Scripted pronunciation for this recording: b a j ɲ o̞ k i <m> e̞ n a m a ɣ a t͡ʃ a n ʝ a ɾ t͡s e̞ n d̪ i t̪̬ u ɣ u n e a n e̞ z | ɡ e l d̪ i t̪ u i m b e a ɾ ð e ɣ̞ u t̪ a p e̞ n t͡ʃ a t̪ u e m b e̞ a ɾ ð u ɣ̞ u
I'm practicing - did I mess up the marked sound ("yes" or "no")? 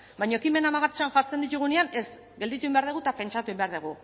no